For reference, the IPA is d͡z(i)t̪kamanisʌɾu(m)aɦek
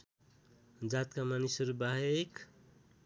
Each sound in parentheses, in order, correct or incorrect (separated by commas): incorrect, incorrect